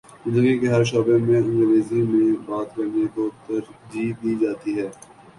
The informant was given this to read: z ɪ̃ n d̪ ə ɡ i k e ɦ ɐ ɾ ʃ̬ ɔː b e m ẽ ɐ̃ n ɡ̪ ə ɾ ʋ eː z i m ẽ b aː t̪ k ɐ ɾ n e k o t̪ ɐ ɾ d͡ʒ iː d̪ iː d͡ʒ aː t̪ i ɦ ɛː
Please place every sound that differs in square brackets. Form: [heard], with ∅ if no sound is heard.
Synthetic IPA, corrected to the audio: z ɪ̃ n d̪ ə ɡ i k e ɦ ɐ ɾ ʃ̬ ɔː b e m ẽ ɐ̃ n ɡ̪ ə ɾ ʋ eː z i m ẽ b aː t̪ k ɐ ɾ n e k o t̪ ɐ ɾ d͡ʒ iː d̪ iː d͡ʒ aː t̪ i ɦ ɛː